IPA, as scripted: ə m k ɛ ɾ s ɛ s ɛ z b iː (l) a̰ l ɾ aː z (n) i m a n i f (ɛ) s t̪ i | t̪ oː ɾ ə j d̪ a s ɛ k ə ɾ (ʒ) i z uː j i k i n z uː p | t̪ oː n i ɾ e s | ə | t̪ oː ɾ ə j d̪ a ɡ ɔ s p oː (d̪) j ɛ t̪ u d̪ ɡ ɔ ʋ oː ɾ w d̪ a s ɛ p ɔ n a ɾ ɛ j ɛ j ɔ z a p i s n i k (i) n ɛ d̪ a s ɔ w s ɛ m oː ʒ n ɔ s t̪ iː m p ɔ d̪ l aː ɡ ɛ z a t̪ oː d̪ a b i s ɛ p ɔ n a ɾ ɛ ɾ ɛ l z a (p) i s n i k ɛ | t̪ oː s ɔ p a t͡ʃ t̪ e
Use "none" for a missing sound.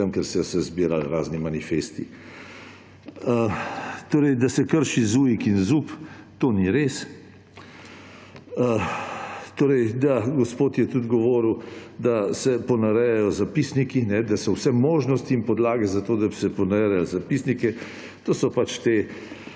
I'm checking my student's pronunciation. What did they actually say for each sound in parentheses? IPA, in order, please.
ɾ, n, e, ʃ, t̪, i, p

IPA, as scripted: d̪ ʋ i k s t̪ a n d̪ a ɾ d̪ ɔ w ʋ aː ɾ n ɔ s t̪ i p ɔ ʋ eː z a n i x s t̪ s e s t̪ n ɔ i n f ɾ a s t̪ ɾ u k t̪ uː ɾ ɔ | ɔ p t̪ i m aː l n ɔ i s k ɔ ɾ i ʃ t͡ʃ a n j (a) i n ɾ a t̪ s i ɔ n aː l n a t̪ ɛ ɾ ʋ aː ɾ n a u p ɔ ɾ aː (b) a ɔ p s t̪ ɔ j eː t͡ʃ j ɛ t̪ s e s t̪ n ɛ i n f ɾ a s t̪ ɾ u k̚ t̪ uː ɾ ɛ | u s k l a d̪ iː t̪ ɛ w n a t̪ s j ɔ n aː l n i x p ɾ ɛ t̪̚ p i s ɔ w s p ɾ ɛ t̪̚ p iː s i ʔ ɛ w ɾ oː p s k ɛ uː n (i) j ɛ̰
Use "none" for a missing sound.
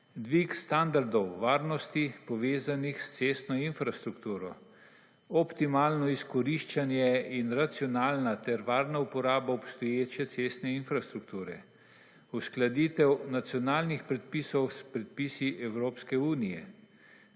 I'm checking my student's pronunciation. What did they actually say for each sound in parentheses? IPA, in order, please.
ɛ, b, i

